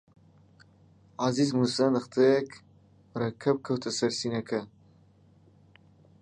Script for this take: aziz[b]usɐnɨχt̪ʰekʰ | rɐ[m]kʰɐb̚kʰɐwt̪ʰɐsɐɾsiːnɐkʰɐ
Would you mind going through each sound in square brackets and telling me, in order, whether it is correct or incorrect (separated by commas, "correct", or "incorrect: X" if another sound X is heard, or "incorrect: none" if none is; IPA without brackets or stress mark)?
incorrect: m, incorrect: none